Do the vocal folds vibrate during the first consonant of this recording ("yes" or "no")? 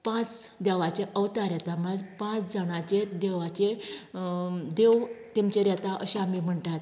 no